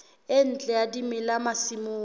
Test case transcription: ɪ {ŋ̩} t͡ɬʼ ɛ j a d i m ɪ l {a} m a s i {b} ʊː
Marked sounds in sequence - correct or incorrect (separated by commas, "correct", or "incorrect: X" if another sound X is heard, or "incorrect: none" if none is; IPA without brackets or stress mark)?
incorrect: n̩, correct, incorrect: m